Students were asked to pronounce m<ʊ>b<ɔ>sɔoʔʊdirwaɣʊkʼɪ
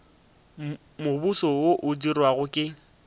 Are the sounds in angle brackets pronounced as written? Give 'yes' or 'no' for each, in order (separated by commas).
yes, no